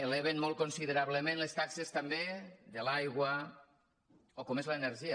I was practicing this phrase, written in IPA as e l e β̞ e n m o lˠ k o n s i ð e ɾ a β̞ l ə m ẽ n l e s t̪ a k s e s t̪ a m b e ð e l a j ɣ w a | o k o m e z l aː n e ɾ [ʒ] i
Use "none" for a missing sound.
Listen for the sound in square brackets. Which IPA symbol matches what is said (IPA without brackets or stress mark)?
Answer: ʒ